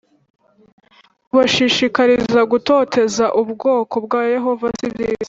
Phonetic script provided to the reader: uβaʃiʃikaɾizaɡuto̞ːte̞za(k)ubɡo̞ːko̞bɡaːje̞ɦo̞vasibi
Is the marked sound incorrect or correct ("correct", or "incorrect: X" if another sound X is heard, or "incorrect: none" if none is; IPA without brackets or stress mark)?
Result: incorrect: ʔ